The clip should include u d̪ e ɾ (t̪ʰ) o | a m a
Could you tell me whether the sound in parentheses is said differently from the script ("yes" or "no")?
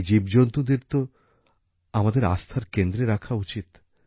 yes